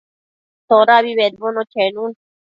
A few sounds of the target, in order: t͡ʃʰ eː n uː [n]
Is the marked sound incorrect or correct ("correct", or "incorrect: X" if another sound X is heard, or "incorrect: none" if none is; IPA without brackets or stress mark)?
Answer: correct